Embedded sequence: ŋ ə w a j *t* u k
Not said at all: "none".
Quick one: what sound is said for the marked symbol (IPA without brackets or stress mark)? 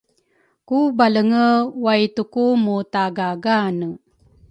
t